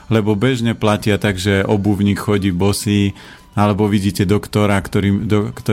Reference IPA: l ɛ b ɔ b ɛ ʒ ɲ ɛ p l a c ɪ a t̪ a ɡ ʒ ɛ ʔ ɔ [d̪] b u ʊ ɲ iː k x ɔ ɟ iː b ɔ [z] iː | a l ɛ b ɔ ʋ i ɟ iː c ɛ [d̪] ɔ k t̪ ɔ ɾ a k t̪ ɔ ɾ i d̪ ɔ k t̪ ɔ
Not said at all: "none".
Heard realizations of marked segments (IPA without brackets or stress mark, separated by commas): none, s, d̪